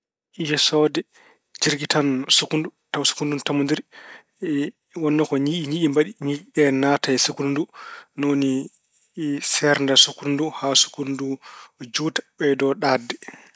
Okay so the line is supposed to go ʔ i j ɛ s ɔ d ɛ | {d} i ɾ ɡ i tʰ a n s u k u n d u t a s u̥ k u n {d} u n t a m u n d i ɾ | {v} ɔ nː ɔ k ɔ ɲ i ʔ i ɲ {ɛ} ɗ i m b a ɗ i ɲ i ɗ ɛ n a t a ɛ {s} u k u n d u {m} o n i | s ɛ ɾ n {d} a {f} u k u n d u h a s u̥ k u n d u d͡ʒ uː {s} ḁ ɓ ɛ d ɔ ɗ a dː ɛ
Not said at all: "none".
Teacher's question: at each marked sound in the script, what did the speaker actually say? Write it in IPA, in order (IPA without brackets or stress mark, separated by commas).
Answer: d͡ʒ, d, w, i, s, n, d, s, t